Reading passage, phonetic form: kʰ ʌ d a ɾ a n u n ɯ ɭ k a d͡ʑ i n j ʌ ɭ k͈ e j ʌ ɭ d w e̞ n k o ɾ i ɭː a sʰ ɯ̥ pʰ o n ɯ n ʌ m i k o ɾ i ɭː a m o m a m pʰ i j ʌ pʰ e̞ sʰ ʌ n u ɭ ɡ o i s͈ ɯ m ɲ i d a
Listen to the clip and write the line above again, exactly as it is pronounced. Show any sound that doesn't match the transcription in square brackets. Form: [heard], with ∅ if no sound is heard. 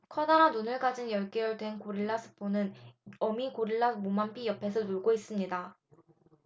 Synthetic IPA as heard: kʰ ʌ d a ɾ a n u n ɯ ɭ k a d͡ʑ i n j ʌ ɭ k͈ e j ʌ ɭ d w e̞ n k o ɾ i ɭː a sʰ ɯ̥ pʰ o n ɯ n ʌ m i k o ɾ i ɭː a m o m a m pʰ i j ʌ pʰ e̞ sʰ ʌ n u ɭ ɡ o i s͈ ɯ m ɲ i d a